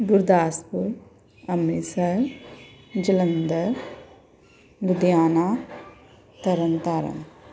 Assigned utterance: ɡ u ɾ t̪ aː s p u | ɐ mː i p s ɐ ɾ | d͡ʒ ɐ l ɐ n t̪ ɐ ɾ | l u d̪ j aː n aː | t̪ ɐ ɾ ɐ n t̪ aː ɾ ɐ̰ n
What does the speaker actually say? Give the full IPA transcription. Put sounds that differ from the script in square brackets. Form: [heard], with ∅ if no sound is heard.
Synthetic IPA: ɡ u ɾ [d̪] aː s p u | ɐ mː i [∅] s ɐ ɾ | d͡ʒ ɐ l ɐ n [d̪] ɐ ɾ | l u d̪ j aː n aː | t̪ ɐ ɾ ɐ n t̪ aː ɾ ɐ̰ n